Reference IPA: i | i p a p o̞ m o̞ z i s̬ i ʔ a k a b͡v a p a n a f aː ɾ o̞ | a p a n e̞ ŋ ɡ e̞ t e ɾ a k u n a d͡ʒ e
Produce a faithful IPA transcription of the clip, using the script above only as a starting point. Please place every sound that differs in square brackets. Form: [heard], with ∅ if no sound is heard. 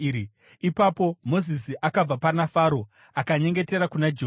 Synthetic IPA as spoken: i | i p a p o̞ m o̞ z i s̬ i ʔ a k a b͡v a p a n a f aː ɾ o̞ | a [k] a [ɲ] e̞ ŋ ɡ e̞ t e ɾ a k u n a d͡ʒ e

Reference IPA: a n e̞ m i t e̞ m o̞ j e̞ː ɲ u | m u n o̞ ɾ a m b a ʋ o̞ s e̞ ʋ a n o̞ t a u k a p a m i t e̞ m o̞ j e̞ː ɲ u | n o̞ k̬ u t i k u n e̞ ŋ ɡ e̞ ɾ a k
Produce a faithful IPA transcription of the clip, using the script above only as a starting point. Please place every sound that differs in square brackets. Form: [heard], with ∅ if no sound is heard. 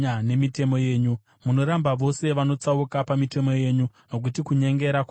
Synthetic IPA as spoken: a n e̞ m i t e̞ m o̞ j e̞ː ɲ u | m u n o̞ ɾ a m b a ʋ o̞ s e̞ ʋ a n o̞ [t͡s] a u k a p a m i t e̞ m o̞ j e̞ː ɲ u | n o̞ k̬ u t i k u [ɲ] e̞ ŋ ɡ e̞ ɾ a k

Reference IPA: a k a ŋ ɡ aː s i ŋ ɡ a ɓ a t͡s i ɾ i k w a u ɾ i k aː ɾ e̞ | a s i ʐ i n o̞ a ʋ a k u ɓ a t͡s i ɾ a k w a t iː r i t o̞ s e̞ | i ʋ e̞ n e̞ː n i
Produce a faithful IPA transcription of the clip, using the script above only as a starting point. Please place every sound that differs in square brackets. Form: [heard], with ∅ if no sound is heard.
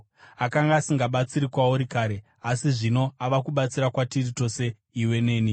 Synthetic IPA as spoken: a k a ŋ ɡ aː s i ŋ ɡ a ɓ a t͡s i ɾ i k w a u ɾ i k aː ɾ e̞ | a s i ʐ i n o̞ a ʋ a k u ɓ a t͡s i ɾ a k w a t [i] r i t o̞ s e̞ | i [w] e̞ n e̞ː n i

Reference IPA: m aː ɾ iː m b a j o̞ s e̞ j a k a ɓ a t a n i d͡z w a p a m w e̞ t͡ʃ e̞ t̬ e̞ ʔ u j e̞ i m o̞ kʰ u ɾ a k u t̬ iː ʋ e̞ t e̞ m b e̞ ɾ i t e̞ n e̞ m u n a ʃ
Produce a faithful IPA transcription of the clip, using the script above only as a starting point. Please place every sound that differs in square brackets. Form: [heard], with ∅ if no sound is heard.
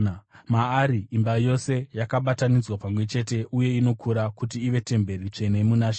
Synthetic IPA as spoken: m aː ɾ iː m b a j o̞ s e̞ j a k a ɓ a t a n i d͡z w a p a m w e̞ t͡ʃ e̞ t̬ e̞ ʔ u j e̞ i [n] o̞ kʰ u ɾ a k u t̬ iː ʋ e̞ t e̞ m b e̞ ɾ i [t͡ʂ] e̞ n e̞ m u n a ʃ

